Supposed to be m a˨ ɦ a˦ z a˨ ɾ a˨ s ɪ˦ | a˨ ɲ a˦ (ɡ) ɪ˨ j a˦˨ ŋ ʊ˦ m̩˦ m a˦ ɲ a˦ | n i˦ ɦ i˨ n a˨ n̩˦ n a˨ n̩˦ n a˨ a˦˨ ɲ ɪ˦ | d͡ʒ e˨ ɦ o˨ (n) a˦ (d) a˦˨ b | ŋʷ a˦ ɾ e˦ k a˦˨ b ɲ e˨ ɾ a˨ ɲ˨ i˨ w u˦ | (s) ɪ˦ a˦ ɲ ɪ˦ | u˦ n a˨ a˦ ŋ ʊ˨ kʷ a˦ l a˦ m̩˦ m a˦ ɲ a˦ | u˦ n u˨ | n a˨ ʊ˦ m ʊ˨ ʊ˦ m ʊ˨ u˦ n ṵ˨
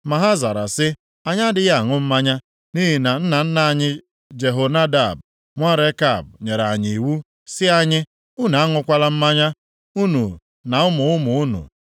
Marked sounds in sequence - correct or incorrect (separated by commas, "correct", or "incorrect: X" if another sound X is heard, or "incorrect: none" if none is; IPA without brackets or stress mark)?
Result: incorrect: d, correct, correct, correct